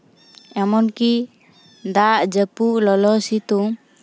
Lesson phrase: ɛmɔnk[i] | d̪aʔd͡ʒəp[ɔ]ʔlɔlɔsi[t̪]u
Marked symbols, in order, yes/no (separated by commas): yes, no, yes